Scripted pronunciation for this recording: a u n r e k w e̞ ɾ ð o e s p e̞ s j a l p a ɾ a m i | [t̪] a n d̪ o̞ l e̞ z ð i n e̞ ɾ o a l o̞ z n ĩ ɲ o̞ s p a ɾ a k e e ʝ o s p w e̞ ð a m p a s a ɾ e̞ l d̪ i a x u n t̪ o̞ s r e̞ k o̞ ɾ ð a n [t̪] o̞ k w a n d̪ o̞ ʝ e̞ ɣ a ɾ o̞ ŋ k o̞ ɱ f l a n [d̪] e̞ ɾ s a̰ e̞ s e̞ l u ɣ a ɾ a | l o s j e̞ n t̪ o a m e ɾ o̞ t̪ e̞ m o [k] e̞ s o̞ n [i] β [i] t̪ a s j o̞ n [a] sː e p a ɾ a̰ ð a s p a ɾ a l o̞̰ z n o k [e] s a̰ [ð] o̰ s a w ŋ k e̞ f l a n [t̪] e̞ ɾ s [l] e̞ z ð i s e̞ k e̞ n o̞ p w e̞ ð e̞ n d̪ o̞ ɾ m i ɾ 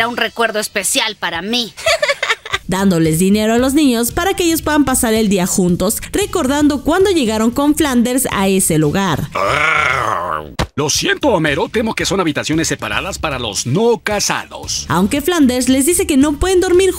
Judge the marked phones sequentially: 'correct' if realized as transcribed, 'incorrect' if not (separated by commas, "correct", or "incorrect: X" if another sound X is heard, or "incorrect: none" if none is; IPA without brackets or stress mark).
incorrect: d̪, incorrect: d̪, correct, correct, incorrect: a, correct, incorrect: e, incorrect: a, correct, incorrect: d̪, correct